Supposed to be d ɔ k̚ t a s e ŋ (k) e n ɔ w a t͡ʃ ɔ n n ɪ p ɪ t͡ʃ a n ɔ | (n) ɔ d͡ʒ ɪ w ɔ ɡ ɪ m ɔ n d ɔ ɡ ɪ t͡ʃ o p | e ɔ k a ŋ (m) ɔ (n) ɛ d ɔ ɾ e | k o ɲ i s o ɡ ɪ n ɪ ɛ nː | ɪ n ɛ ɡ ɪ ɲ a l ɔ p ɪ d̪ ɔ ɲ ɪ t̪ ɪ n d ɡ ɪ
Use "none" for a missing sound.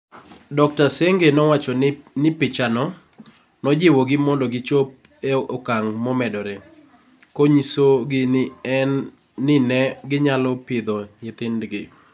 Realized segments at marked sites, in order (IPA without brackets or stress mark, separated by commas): ɡ, n, m, m